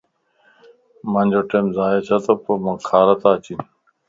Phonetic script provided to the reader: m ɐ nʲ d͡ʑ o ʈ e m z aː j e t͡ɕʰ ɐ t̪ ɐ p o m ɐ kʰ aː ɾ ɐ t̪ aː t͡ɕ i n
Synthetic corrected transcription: m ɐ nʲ d͡ʑ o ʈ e m z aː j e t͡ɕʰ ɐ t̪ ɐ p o m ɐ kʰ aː ɾ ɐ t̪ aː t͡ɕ i n